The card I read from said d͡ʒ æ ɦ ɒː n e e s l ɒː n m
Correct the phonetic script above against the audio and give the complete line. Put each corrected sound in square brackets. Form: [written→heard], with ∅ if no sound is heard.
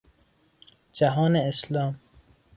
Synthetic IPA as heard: d͡ʒ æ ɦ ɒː n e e s l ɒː [n→∅] m